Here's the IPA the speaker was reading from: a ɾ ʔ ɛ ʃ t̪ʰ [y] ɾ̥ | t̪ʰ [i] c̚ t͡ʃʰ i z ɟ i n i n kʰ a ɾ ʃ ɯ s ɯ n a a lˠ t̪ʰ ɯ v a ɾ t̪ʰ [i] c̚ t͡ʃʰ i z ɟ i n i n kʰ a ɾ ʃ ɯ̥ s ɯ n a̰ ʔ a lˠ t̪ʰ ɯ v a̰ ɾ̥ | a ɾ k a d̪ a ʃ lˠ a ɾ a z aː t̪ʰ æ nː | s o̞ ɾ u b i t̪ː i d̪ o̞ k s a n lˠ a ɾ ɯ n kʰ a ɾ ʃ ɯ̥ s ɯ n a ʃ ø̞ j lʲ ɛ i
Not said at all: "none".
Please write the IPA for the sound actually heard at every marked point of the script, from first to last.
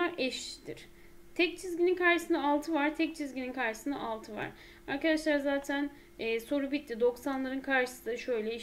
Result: i, ɛ, ɛ

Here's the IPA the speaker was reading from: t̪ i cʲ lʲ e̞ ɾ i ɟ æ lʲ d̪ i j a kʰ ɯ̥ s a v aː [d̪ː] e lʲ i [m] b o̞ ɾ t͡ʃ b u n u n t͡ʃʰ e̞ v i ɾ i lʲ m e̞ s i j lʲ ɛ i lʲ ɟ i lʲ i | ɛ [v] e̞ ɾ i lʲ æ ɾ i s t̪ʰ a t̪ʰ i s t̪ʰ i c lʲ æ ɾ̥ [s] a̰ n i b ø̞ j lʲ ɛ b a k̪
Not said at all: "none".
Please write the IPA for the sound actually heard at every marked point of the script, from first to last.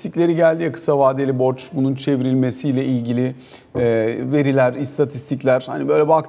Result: d̪, none, v, h

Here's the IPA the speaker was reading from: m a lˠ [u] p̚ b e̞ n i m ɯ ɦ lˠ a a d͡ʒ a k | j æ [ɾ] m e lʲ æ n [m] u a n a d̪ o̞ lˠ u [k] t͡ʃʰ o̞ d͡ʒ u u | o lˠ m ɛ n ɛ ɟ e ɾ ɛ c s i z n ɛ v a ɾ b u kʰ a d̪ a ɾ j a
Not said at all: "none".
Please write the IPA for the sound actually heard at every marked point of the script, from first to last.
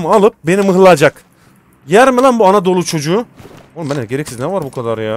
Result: ɯ, ɾ, b, none

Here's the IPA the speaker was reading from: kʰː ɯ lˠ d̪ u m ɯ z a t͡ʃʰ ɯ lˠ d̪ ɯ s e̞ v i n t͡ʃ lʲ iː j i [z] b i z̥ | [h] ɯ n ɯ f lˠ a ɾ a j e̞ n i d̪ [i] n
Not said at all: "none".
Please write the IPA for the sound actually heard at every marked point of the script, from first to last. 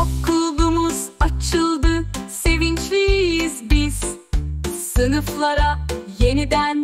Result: z, s, æ

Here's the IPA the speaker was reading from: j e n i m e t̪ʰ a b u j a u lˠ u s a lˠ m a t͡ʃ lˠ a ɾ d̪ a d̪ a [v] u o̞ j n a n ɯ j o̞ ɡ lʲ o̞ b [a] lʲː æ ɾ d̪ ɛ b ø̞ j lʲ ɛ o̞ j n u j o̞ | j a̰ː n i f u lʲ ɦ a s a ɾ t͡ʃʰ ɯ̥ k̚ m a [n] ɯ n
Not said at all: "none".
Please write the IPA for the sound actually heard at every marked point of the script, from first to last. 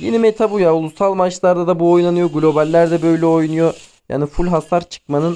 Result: b, a, n

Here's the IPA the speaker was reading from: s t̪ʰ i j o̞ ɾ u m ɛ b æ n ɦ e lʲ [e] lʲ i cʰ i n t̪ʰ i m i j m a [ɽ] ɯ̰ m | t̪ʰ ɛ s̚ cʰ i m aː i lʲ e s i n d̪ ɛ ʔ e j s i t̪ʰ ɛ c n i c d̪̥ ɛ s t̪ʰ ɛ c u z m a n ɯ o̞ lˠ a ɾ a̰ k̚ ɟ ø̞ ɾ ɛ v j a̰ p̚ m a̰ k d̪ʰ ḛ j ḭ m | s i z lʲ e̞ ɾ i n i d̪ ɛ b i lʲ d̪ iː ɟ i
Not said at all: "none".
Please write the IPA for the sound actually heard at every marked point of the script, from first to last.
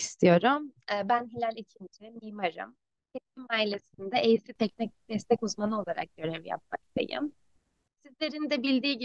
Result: æ, ɾ

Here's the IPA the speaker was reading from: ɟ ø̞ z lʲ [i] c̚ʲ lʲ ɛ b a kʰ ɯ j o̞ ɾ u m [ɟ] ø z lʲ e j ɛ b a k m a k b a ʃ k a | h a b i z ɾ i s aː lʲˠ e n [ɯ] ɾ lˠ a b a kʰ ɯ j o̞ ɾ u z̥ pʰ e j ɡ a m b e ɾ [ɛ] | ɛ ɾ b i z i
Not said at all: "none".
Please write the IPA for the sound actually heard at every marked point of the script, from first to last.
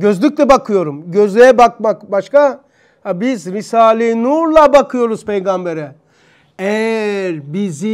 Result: y, ɟ, u, ɛ

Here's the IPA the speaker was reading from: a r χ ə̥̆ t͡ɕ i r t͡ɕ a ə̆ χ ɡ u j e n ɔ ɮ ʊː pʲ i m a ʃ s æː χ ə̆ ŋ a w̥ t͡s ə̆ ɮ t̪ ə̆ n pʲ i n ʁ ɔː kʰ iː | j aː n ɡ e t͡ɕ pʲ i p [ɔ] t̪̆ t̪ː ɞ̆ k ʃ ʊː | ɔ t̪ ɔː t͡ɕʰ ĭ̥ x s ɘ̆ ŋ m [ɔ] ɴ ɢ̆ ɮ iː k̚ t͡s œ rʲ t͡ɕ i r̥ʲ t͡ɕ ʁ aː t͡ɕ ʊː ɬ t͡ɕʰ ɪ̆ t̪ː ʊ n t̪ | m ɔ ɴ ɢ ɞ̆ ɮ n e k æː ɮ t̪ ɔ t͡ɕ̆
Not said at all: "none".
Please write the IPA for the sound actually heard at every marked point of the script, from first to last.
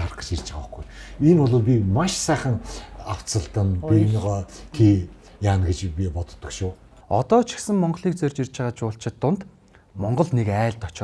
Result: ɔ, ɔ

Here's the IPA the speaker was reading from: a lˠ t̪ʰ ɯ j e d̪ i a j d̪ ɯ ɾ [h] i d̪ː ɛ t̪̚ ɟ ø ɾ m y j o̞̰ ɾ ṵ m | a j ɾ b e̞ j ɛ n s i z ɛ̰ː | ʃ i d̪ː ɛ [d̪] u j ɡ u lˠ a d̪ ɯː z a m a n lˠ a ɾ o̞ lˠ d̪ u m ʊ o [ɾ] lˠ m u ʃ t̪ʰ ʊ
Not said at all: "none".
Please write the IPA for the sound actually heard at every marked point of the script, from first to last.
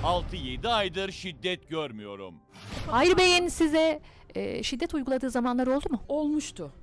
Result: ʃ, t̪, none

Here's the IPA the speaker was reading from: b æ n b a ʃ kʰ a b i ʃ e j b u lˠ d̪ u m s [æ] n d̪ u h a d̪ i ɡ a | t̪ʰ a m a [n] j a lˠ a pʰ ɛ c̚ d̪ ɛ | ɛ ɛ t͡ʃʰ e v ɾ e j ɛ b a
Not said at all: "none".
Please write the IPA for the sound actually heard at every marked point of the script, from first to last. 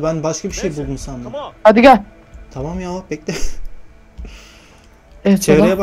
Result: a, m

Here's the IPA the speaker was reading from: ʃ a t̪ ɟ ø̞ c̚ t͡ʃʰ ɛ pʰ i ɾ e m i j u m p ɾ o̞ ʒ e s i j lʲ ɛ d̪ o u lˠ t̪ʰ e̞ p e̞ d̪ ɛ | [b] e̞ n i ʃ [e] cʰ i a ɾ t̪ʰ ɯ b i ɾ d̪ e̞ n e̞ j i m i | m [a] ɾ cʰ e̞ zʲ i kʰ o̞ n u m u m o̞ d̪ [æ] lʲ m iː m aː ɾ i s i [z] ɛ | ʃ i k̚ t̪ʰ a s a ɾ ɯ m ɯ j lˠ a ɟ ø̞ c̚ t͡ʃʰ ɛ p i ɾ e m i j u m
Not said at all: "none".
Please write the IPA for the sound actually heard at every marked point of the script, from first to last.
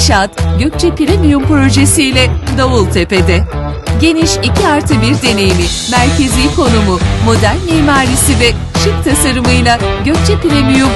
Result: ɟ, i, æ, æ, v

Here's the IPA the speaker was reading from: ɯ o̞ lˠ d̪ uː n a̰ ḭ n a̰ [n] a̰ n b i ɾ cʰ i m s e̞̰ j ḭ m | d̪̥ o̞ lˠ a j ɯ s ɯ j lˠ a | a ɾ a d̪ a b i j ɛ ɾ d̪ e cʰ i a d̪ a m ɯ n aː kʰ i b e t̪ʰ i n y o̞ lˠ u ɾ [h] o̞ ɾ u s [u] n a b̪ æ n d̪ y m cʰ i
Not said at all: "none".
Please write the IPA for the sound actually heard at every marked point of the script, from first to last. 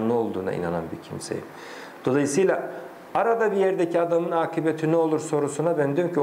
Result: n, s, u

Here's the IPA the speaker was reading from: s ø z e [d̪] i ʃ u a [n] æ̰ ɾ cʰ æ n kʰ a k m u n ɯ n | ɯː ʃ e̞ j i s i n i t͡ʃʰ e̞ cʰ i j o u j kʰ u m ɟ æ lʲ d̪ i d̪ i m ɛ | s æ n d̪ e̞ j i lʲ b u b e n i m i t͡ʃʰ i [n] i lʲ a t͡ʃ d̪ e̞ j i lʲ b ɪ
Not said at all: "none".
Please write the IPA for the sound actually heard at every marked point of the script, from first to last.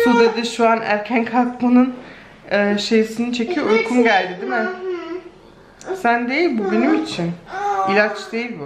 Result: d̪, n, n

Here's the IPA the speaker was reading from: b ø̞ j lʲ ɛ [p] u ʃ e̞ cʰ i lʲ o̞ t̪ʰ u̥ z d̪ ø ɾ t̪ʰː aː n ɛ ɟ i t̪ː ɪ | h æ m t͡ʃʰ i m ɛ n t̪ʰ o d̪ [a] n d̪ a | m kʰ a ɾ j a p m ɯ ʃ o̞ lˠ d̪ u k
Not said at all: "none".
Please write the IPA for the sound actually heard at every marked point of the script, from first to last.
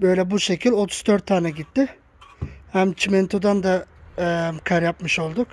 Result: b, a

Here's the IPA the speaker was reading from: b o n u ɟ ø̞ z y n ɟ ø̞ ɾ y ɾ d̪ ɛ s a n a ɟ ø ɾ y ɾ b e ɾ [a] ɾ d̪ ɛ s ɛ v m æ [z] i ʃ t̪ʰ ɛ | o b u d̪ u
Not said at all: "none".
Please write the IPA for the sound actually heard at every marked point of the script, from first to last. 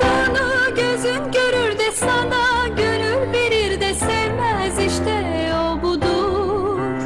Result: i, z

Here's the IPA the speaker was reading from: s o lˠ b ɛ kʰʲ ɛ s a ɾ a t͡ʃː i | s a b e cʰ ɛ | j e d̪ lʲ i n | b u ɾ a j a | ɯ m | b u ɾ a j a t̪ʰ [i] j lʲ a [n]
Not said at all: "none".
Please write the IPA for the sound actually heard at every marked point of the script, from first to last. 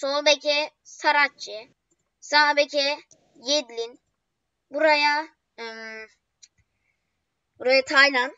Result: a, n

